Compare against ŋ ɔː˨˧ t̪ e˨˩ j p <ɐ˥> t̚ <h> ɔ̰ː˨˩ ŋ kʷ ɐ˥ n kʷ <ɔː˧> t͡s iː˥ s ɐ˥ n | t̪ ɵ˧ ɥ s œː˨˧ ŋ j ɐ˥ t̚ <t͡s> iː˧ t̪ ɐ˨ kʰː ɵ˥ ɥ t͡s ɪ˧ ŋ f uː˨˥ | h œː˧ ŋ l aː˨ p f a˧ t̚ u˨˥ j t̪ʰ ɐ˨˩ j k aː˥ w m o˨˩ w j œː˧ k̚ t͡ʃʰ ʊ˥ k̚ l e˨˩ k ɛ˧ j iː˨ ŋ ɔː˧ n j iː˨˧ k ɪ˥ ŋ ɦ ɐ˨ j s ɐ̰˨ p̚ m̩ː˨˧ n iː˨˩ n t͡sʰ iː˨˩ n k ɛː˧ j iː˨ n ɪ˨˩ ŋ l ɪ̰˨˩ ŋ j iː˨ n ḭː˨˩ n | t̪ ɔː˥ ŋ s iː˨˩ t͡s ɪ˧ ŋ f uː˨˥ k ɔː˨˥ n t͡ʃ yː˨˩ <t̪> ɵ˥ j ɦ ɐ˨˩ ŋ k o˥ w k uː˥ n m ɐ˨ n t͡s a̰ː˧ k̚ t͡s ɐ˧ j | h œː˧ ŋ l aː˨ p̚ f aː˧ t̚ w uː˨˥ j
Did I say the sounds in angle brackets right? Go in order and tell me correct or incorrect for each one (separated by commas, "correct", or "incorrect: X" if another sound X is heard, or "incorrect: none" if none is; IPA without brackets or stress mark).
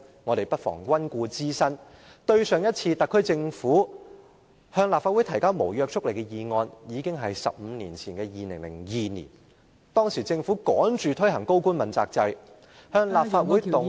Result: correct, incorrect: f, incorrect: uː˧, incorrect: t͡sʰ, incorrect: t̪ʰ